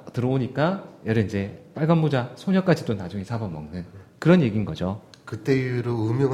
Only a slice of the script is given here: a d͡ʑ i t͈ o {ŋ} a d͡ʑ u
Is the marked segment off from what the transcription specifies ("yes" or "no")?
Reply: yes